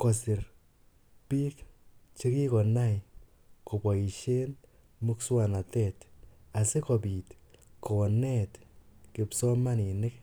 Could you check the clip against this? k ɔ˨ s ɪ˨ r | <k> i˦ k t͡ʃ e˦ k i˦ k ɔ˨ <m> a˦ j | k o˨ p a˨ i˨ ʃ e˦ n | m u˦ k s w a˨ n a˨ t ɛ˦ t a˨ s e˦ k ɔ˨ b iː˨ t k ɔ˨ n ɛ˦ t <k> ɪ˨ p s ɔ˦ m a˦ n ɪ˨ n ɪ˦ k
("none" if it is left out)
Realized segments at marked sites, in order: p, n, k

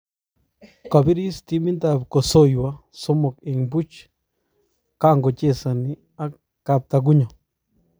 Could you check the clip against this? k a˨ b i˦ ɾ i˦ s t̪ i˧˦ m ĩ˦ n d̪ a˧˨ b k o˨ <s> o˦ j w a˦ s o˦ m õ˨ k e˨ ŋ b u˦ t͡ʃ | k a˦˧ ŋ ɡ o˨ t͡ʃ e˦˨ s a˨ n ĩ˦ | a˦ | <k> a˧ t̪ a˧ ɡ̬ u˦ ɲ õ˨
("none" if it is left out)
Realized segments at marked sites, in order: s, k

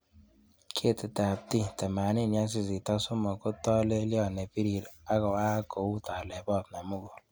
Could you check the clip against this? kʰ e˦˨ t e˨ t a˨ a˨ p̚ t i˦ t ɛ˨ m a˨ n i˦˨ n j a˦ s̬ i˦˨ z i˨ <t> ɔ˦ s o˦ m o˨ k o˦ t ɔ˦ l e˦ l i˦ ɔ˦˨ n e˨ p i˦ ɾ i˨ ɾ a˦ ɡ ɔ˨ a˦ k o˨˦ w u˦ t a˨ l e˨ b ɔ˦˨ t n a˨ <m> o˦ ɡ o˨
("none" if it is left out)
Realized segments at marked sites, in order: t, m

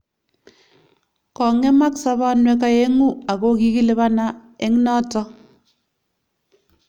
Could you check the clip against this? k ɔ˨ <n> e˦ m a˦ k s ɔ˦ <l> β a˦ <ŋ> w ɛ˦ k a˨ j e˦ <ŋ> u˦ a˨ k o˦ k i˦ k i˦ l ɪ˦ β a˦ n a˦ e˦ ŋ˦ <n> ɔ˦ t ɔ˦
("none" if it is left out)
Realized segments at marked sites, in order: ŋ, none, n, ŋ, n

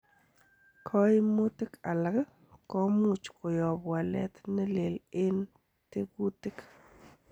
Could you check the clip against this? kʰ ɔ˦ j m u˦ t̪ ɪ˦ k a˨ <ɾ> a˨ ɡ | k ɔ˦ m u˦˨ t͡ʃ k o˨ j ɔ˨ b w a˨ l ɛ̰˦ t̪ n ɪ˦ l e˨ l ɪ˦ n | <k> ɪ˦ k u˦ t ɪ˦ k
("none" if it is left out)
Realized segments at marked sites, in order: l, t

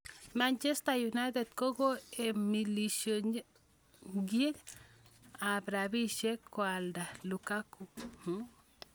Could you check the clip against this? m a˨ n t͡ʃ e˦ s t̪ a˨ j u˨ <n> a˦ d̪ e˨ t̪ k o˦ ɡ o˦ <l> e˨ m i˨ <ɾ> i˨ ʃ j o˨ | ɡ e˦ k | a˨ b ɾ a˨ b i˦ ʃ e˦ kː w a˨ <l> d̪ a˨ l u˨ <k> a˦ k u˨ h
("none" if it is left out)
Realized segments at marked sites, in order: n, none, l, l, k

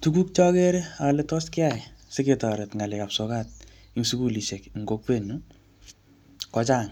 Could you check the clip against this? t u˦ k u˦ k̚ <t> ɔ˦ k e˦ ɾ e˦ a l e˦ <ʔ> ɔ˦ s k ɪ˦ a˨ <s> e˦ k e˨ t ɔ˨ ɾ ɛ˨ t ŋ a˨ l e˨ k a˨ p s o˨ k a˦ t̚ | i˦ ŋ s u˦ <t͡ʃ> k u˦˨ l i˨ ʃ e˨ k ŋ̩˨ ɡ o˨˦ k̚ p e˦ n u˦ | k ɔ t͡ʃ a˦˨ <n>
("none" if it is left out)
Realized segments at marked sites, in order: t͡ʃ, t, s, none, ŋ

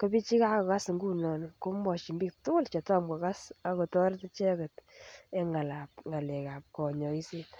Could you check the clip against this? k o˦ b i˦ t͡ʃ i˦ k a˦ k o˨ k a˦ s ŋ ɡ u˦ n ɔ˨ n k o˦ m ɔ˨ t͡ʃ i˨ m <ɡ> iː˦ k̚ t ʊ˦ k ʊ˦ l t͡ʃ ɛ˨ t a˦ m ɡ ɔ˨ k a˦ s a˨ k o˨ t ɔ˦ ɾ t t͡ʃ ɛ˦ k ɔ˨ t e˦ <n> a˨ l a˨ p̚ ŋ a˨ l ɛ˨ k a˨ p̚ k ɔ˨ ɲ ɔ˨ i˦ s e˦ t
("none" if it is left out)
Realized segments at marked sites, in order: b, ŋ

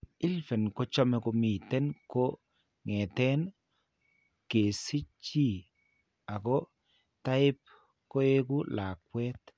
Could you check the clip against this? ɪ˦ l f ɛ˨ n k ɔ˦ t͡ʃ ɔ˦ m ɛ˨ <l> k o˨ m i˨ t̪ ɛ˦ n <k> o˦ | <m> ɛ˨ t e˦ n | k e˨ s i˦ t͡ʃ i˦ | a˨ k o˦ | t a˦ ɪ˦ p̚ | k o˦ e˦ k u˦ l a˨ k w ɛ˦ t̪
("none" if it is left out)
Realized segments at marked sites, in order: none, k, ŋ

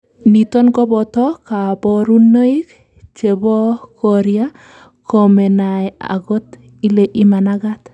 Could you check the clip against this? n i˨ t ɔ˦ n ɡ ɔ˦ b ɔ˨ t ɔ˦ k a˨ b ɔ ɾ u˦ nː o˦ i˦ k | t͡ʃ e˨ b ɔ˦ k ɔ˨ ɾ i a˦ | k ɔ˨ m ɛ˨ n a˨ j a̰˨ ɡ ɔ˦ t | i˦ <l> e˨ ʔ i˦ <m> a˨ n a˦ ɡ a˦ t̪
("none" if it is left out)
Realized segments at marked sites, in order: l, m

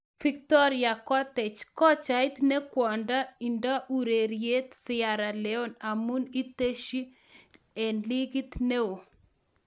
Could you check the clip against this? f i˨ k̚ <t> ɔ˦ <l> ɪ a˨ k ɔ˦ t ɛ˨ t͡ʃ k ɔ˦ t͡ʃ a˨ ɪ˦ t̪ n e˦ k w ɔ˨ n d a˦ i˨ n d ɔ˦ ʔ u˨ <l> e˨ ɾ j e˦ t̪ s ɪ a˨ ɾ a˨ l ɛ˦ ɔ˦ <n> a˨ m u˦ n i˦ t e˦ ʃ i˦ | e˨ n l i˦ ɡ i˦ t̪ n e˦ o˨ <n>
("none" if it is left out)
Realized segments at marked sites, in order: t, ɾ, ɾ, n, none

